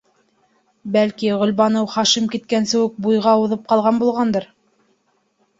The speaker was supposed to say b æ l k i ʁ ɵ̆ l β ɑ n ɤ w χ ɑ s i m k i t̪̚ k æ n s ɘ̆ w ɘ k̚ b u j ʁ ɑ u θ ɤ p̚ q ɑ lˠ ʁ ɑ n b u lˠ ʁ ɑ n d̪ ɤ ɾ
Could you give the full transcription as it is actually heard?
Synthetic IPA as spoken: b æ l k i ʁ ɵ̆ l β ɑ n ɤ w χ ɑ ʃ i m k i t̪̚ k æ n s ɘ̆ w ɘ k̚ b u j ʁ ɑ u ð ɤ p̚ q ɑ lˠ ʁ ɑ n b u lˠ ʁ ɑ n d̪ ɤ ɾ